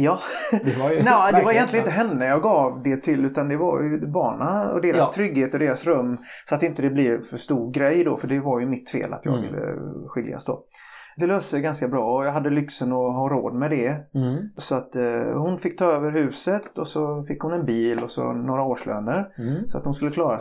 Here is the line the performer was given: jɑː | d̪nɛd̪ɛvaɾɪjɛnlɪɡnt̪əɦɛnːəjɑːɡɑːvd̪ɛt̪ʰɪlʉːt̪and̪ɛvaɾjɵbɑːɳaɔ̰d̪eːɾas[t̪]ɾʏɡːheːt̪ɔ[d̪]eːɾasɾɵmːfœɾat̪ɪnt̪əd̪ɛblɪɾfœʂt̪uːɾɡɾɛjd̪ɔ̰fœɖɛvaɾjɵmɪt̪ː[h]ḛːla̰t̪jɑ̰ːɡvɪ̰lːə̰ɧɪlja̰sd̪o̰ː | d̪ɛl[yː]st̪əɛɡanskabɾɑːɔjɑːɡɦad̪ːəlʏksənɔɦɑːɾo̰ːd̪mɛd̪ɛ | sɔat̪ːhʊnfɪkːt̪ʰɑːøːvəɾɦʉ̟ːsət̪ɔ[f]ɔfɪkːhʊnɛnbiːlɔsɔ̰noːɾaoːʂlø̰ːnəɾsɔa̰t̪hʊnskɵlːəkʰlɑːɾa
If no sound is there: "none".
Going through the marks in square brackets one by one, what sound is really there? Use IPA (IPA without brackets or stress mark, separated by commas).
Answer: t̪ʰ, d̪, f, øː, s